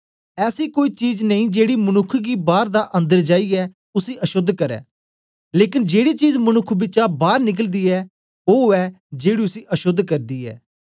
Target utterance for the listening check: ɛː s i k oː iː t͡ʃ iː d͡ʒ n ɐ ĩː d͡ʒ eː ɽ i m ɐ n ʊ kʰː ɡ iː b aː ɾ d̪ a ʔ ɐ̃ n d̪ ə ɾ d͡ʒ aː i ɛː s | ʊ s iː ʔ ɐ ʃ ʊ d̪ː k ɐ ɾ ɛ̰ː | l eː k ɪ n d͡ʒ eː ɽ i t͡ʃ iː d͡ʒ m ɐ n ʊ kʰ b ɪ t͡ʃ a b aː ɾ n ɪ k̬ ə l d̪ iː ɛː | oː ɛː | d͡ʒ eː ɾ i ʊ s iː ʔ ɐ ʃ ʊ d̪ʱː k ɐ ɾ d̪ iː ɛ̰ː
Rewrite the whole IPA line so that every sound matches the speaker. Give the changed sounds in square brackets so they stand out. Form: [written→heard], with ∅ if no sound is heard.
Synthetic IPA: ɛː s i k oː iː t͡ʃ iː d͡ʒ n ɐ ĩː d͡ʒ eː ɽ i m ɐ n ʊ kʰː ɡ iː b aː ɾ d̪ a ʔ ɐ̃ n d̪ ə ɾ d͡ʒ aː i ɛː [s→∅] | ʊ s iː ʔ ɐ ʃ ʊ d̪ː k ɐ ɾ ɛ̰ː | l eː k ɪ n d͡ʒ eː ɽ i t͡ʃ iː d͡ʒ m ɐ n ʊ kʰ b ɪ t͡ʃ a b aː ɾ n ɪ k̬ ə l d̪ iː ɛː | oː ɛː | d͡ʒ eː [ɾ→ɽ] i ʊ s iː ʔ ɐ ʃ ʊ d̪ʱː k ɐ ɾ d̪ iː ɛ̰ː